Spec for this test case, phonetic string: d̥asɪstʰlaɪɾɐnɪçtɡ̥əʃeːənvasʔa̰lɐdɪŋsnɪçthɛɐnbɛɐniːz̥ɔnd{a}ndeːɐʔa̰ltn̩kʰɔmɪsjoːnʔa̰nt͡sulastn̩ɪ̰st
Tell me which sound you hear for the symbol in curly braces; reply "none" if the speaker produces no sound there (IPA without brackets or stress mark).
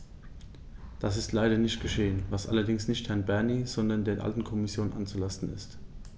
ɐ